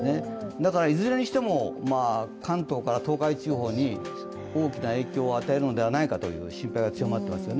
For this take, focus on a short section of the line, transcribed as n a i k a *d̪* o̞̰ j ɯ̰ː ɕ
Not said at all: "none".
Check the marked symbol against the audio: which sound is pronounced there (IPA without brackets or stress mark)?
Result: t̪